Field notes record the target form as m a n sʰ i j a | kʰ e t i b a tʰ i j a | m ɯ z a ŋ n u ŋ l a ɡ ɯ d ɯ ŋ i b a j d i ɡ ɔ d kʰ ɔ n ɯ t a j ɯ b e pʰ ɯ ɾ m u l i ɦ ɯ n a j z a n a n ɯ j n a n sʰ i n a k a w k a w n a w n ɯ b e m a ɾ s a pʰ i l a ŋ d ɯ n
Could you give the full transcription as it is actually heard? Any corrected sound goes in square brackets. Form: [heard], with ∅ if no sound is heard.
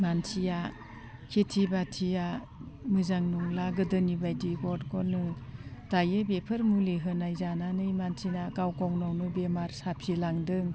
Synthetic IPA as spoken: m a n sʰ i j a | kʰ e [tʰ] i b a tʰ i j a | m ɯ z a ŋ n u ŋ l a ɡ ɯ d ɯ [n] i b a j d i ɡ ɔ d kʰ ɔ n ɯ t a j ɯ b e pʰ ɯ ɾ m u l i ɦ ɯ n a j z a n a n ɯ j [m] a n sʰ i n a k a w k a w n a w n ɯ b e m a ɾ s a pʰ i l a ŋ d ɯ [ŋ]